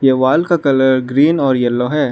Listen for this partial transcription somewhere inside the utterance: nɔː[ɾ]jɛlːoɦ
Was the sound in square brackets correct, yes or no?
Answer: yes